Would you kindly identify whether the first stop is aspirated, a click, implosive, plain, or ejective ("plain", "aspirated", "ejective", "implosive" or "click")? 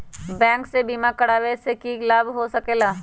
plain